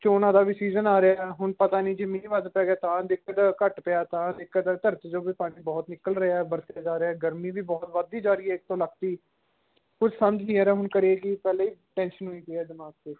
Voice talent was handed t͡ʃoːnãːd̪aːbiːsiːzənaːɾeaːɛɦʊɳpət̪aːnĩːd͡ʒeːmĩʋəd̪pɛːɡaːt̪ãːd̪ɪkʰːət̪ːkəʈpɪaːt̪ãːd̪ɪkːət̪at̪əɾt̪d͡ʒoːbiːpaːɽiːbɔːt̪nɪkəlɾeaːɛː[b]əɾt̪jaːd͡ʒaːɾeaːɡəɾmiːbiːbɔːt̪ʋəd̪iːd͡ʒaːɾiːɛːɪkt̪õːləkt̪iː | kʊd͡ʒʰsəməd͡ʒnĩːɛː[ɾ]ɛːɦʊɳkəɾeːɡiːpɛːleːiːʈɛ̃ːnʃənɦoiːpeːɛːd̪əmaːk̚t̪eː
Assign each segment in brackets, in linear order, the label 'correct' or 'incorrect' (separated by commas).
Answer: correct, correct